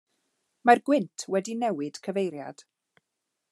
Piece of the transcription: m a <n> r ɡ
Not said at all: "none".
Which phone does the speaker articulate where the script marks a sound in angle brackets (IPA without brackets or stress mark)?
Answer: none